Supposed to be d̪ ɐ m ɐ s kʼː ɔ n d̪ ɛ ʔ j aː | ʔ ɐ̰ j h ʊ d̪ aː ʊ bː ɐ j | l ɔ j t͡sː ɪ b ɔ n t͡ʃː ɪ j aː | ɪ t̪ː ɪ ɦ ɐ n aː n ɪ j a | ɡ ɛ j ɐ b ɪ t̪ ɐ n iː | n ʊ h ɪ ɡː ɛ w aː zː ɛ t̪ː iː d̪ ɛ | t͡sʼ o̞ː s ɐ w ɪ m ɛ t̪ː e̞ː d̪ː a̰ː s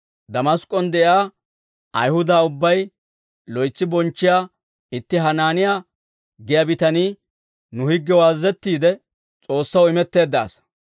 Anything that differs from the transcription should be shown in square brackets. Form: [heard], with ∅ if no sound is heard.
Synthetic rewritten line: d̪ ɐ m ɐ s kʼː ɔ n d̪ ɛ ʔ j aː | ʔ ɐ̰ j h ʊ d̪ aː ʊ bː ɐ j | l ɔ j t͡sː ɪ b ɔ n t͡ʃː ɪ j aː | ɪ t̪ː ɪ ɦ ɐ n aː n ɪ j a | ɡ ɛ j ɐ b ɪ t̪ ɐ n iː | n ʊ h ɪ ɡː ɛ w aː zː ɛ t̪ː iː d̪ ɛ | t͡sʼ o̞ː [sː] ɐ w ɪ m ɛ t̪ː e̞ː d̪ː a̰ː s

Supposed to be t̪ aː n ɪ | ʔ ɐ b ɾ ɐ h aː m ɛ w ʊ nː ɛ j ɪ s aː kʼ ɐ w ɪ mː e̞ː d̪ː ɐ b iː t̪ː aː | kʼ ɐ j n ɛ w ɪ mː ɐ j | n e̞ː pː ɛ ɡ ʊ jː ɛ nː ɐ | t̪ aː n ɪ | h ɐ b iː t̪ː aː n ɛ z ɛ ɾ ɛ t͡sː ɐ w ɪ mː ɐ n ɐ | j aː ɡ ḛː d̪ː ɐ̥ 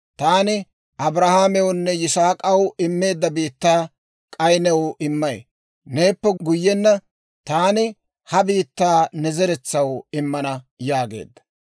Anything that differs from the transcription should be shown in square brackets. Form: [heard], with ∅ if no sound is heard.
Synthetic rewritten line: t̪ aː n ɪ | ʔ ɐ b ɾ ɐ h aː m ɛ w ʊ nː ɛ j ɪ s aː kʼ ɐ w ɪ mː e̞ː d̪ː ɐ b iː t̪ː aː | kʼ ɐ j n ɛ w ɪ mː ɐ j | n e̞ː pː ɛ ɡ ʊ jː ɛ nː ɐ | t̪ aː n ɪ | h ɐ b iː t̪ː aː n ɛ z ɛ ɾ ɛ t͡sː ɐ w ɪ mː ɐ n ɐ | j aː ɡ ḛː d̪ː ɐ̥

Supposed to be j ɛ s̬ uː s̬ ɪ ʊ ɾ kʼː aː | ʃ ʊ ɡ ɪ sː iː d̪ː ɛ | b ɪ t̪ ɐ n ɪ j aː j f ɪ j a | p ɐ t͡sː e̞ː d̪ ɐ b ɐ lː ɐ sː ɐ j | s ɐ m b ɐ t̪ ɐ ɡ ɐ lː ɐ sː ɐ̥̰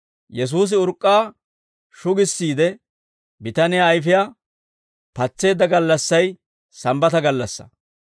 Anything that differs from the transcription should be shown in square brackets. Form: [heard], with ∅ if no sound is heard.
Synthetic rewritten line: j ɛ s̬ uː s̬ ɪ ʊ ɾ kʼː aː | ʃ ʊ ɡ ɪ sː iː [d̪] ɛ | b ɪ t̪ ɐ n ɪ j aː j f ɪ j a | p ɐ t͡sː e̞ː d̪ ɐ [ɡ] ɐ lː ɐ sː ɐ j | s ɐ m b ɐ t̪ ɐ ɡ ɐ lː ɐ sː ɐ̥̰

